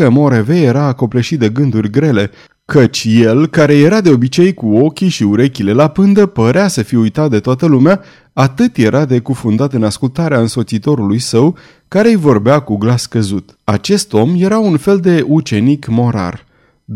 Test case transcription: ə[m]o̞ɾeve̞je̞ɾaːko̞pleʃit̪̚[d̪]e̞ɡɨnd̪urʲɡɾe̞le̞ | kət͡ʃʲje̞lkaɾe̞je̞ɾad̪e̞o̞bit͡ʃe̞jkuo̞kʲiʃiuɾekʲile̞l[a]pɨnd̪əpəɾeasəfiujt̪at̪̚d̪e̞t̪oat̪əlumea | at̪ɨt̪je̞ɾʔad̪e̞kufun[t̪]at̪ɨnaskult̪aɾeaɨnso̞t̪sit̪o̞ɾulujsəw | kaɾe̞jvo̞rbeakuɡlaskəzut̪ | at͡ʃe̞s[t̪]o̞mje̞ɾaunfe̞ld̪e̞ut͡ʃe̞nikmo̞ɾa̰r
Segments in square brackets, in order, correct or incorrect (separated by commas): correct, correct, correct, incorrect, correct